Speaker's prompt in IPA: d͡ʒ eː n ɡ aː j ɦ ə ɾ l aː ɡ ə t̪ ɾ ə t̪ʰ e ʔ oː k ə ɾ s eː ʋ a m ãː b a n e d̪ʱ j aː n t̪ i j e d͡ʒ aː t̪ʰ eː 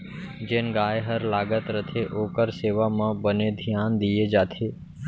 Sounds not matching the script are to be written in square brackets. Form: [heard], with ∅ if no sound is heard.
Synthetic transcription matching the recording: d͡ʒ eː n ɡ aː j ɦ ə ɾ l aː ɡ ə t̪ ɾ ə t̪ʰ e ʔ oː k ə ɾ s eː ʋ a m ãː b [ə] n e d̪ʱ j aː n [d̪] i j e d͡ʒ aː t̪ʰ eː